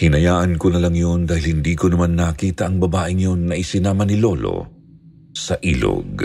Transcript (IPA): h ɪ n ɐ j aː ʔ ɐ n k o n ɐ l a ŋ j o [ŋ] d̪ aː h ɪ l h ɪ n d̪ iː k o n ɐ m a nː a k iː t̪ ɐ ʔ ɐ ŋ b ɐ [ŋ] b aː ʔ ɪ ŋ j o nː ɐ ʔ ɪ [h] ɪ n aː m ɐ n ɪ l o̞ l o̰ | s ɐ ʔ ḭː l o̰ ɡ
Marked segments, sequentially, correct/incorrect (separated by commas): incorrect, incorrect, incorrect